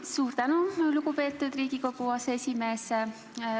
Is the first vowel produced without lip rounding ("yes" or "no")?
no